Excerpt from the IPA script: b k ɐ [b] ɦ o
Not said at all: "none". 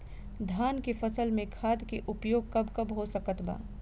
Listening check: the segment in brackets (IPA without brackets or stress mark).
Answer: b